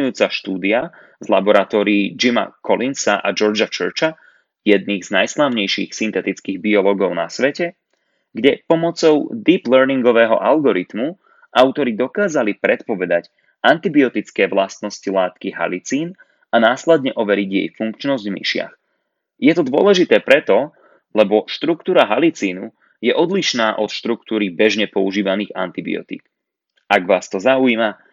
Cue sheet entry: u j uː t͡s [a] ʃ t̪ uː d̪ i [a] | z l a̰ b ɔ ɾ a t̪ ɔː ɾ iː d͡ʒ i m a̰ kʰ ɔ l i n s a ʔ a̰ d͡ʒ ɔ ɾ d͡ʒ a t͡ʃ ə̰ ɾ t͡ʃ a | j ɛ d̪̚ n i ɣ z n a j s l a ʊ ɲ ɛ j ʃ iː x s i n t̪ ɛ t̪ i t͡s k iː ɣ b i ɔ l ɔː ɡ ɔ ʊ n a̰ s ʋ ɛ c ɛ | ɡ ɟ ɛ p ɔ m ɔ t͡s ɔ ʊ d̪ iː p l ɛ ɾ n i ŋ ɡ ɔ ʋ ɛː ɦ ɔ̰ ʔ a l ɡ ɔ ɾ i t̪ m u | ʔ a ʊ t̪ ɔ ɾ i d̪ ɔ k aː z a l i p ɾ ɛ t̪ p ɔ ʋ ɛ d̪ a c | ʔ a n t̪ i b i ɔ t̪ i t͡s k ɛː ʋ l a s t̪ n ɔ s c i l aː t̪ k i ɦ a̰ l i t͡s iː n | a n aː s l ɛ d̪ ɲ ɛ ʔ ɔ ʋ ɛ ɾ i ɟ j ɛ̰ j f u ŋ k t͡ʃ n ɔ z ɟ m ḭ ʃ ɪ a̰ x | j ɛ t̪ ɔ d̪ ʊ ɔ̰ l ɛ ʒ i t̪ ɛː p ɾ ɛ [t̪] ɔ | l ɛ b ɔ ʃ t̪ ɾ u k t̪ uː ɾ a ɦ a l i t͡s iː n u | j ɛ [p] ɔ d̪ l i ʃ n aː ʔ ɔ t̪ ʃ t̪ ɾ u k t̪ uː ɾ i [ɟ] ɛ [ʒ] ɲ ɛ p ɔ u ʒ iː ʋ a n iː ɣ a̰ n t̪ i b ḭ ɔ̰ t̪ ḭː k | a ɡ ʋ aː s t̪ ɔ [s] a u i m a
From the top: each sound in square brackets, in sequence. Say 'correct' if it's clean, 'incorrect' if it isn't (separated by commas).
correct, correct, correct, incorrect, incorrect, correct, incorrect